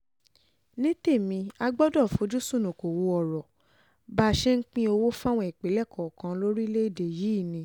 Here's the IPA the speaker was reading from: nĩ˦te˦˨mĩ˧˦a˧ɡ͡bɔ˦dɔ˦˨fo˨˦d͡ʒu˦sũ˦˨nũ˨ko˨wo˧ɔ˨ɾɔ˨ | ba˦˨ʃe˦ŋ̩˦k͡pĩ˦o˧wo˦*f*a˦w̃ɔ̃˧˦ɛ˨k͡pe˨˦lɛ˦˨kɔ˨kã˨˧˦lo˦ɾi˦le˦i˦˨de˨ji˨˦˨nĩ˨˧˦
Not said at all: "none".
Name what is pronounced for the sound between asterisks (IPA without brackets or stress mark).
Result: f